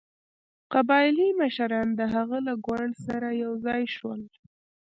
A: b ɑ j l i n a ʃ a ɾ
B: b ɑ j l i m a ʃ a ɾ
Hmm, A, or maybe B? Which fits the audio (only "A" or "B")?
B